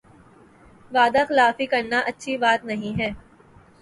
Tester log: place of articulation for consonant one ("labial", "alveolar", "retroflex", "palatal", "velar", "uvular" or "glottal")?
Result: labial